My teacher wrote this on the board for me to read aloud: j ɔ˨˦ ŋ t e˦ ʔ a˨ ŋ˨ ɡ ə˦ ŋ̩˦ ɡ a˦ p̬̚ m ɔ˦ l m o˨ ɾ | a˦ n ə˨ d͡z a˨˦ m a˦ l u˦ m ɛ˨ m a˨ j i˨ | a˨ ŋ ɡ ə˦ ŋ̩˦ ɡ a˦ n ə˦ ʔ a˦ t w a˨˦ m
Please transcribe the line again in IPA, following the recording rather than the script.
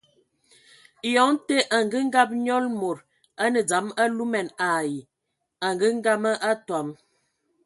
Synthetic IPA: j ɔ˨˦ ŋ t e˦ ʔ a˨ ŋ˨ ɡ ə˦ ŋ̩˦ ɡ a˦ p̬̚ ɲ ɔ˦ l m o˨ ɾ | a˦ n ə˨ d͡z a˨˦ m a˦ l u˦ m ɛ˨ n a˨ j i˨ | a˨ ŋ ɡ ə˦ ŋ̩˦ ɡ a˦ m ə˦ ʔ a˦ t w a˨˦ m